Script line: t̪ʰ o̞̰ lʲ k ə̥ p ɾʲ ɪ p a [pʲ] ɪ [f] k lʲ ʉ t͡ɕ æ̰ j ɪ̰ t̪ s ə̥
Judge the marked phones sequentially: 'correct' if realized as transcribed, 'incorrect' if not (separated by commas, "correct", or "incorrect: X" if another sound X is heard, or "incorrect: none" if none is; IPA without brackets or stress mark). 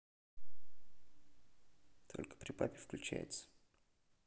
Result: correct, correct